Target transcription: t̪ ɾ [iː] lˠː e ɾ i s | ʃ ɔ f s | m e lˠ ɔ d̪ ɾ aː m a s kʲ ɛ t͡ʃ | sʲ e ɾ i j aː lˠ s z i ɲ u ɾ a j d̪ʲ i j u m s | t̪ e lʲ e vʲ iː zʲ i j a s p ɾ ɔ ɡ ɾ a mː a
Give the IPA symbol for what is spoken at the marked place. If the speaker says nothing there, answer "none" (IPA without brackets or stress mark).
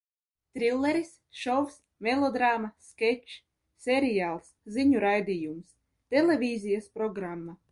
i